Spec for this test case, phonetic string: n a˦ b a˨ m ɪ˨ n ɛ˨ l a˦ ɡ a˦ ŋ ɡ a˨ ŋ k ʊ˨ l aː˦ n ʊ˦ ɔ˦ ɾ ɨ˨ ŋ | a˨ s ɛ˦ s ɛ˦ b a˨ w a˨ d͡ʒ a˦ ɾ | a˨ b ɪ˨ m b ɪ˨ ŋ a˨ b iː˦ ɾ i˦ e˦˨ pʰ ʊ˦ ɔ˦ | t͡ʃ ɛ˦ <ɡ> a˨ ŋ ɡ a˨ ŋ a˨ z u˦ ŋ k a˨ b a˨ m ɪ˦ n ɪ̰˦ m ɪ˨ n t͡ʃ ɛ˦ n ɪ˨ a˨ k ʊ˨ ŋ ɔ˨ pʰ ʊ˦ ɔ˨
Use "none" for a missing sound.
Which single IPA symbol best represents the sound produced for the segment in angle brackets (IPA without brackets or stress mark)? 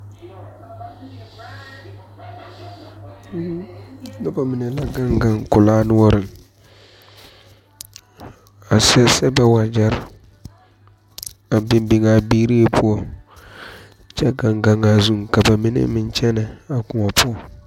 ɡ